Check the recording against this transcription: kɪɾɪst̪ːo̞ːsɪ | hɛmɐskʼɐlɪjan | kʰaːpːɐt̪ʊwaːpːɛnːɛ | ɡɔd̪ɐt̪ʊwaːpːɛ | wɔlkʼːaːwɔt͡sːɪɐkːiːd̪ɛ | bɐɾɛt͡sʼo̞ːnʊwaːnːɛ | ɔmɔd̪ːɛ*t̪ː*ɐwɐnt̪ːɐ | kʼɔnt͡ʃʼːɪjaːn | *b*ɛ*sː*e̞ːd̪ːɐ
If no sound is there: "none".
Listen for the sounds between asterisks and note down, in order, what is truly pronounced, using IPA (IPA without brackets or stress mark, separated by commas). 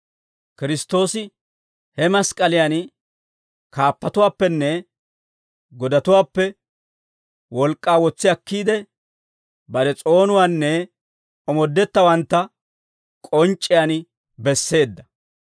t̪ː, b, sː